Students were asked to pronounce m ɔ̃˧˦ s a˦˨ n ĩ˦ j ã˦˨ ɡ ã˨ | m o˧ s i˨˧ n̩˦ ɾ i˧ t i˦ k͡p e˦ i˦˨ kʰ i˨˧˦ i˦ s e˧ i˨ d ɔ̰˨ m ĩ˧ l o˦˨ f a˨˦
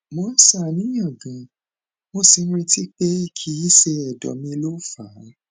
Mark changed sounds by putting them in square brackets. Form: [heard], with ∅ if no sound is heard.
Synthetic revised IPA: m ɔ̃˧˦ s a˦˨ n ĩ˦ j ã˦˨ ɡ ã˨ | m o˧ s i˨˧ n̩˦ ɾ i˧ t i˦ k͡p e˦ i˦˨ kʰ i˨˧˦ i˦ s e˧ [ɛ˨] d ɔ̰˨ m ĩ˧ l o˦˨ f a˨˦